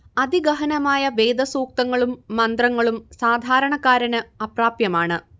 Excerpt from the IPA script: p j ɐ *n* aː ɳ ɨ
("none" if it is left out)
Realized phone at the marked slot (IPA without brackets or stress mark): m